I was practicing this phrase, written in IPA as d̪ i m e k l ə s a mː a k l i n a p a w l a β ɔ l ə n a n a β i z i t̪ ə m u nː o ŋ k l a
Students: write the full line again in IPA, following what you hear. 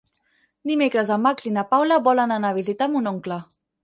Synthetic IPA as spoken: d̪ i m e k ɾ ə z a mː a k l i n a p a w l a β ɔ l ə n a n a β i z i t̪ a m u n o ŋ k l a